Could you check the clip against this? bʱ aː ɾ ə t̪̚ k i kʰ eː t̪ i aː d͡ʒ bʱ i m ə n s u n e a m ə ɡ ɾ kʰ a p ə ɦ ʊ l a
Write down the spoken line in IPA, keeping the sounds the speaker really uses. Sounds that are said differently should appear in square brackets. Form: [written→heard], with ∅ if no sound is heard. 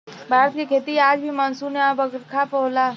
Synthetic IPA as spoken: bʱ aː ɾ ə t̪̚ k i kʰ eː t̪ i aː d͡ʒ bʱ i m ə n s u n e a [m→b] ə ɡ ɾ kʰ a p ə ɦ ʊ l a